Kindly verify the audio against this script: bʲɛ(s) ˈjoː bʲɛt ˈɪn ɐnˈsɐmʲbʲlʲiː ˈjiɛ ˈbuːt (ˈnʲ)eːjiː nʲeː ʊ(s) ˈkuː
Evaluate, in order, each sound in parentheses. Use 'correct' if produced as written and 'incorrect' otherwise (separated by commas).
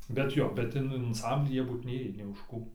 incorrect, correct, incorrect